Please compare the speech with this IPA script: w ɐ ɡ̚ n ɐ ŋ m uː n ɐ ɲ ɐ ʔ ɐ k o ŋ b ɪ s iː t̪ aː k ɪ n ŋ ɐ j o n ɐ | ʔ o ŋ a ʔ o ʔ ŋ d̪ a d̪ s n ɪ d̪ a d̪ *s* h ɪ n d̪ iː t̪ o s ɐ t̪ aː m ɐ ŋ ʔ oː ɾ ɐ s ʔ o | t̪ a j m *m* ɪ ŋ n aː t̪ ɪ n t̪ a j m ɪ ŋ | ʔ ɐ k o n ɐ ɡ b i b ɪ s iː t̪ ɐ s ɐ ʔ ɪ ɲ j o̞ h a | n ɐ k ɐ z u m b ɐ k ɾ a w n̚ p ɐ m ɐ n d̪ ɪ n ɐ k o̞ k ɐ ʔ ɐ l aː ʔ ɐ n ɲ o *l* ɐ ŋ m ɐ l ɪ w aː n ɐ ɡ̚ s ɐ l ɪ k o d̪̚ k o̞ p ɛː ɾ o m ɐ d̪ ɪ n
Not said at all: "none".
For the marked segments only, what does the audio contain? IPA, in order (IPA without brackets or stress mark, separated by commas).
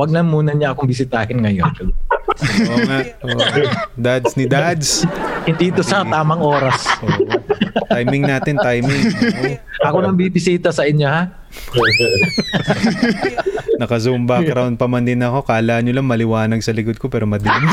s, m, l